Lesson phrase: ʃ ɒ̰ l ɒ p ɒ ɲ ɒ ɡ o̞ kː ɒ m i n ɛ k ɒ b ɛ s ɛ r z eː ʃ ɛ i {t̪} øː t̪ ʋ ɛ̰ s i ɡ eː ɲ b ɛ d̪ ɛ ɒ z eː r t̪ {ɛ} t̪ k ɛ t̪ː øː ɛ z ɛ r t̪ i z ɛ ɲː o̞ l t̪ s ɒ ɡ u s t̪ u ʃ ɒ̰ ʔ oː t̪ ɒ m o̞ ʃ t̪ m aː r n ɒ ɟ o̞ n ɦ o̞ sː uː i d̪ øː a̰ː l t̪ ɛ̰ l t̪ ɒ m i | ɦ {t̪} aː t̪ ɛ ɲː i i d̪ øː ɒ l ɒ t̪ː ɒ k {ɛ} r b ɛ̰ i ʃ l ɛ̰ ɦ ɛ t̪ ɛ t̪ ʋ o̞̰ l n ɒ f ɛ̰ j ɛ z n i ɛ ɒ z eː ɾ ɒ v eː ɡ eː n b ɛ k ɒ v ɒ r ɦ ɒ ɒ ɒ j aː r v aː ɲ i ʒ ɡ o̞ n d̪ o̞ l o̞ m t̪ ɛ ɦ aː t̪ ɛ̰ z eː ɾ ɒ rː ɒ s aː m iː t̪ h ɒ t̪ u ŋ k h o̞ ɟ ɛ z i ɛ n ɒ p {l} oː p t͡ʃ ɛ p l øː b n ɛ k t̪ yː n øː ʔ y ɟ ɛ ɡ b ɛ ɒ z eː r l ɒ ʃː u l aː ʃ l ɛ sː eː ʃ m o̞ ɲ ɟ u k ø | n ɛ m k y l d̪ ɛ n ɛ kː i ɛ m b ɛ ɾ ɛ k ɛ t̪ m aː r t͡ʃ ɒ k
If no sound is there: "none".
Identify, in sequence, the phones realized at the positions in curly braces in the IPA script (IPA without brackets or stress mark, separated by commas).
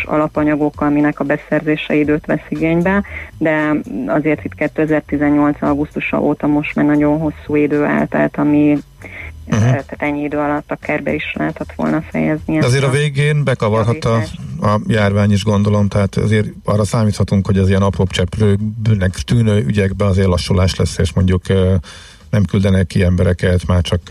d̪, i, t̪, ɛ, r